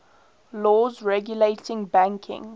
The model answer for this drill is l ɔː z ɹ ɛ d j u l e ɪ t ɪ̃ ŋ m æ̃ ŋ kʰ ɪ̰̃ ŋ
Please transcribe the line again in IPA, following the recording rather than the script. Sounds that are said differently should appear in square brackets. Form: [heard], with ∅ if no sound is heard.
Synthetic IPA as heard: l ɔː z ɹ ɛ [ɡ] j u l e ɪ t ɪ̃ ŋ [b] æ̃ ŋ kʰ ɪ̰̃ ŋ